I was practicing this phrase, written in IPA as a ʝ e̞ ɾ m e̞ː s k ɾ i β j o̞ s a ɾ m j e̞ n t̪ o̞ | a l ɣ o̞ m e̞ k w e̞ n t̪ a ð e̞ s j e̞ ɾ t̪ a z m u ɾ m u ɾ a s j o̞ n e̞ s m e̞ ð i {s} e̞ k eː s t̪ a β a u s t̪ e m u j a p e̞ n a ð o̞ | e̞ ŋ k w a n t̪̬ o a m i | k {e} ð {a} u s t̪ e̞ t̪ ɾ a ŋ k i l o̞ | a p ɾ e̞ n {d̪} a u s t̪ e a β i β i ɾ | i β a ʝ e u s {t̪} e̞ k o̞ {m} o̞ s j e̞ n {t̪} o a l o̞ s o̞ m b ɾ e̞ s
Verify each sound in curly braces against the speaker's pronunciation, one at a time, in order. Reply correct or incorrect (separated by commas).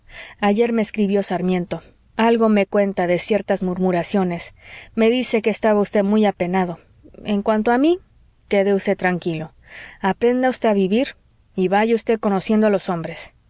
correct, correct, incorrect, correct, correct, incorrect, incorrect